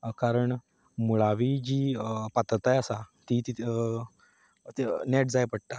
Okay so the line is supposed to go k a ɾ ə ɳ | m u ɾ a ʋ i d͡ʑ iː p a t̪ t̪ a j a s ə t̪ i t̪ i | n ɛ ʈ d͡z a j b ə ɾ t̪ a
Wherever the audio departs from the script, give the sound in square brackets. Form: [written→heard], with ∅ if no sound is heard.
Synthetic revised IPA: k a ɾ ə ɳ | m u [ɾ→ɭ] a ʋ i d͡ʑ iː p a t̪ t̪ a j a s [ə→a] t̪ i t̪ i | n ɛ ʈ d͡z a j [b→p] ə [ɾ→ɽ] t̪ a